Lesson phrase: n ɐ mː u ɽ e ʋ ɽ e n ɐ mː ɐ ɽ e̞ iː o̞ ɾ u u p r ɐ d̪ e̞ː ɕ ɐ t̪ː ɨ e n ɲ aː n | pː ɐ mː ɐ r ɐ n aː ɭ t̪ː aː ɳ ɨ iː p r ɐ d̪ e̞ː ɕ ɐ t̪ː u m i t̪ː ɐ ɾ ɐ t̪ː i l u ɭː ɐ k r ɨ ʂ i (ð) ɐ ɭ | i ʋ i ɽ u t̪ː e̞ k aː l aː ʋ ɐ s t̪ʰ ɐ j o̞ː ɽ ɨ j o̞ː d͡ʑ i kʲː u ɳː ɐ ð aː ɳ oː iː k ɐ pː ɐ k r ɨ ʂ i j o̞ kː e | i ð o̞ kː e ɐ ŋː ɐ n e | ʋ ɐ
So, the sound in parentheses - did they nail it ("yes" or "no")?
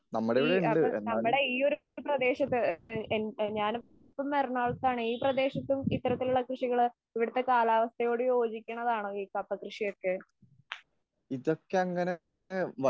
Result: no